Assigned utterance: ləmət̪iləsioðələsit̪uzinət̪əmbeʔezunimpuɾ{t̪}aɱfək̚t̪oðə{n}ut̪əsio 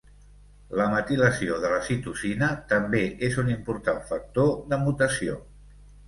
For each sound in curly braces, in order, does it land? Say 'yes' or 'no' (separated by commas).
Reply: yes, no